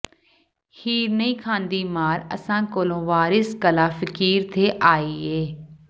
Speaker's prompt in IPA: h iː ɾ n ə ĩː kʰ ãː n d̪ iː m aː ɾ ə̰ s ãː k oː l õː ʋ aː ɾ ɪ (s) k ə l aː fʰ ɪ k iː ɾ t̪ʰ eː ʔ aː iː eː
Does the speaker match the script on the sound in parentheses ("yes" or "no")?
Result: yes